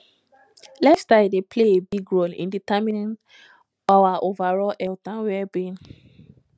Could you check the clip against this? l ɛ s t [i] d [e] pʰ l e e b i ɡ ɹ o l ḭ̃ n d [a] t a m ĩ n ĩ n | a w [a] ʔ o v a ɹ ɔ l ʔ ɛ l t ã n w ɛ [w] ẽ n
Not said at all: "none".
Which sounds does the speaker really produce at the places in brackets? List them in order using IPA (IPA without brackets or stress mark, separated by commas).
a, e, i, a, b